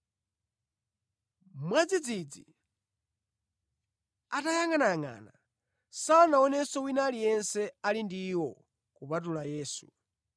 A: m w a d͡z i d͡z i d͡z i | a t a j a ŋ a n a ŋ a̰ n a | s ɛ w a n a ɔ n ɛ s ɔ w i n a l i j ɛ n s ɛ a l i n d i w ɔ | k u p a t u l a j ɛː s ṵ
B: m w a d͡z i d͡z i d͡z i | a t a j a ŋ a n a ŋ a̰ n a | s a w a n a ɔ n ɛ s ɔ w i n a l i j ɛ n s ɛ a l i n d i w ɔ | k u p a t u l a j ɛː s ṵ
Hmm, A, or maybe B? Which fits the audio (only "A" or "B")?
B